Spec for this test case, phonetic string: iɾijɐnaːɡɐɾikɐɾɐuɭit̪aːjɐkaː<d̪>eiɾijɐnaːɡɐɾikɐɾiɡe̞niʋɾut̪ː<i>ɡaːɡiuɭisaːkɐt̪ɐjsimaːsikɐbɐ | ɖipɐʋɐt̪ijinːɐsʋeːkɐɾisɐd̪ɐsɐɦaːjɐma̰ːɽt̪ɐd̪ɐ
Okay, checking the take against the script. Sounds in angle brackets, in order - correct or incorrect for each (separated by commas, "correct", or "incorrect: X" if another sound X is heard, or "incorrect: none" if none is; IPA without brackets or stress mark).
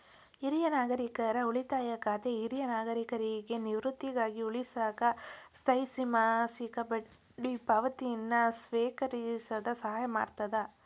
incorrect: t̪, correct